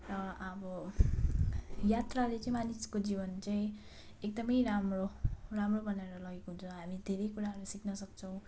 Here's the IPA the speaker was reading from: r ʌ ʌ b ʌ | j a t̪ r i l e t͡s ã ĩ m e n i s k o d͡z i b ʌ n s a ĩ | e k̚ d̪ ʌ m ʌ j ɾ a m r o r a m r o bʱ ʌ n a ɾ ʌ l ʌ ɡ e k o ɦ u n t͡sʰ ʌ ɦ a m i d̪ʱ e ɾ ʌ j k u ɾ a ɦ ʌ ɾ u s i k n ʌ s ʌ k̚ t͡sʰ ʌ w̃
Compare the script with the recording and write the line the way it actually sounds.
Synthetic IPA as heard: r ʌ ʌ b ʌ | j a t̪ r a l e t͡s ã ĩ m a n i s k o d͡z i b ʌ n t͡s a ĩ | e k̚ d̪ ʌ m ʌ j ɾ a m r o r a m r o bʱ ʌ n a ɾ ʌ l ʌ ɡ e k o ɦ u n t͡sʰ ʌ ɦ a m i d̪ʱ e ɾ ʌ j k u ɾ a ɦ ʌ ɾ u s i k n ʌ s ʌ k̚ t͡sʰ ʌ w̃